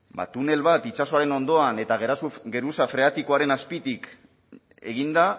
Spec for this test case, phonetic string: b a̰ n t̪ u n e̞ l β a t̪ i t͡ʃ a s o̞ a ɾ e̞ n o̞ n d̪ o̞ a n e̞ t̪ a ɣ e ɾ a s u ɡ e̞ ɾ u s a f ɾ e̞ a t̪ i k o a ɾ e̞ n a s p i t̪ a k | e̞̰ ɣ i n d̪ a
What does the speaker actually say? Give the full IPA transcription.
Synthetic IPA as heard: b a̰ t̪ u n e̞ l β a t̪ i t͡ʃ a s o̞ a ɾ e̞ n o̞ n d̪ o̞ a n e̞ t̪ a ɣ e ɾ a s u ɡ e̞ ɾ u s a f ɾ e̞ a t̪ i k o a ɾ e̞ n a s p i t̪ i k | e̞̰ ɣ i n d̪ a